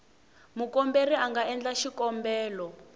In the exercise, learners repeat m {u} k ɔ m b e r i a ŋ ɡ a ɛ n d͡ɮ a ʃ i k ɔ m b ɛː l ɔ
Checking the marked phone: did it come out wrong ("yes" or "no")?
no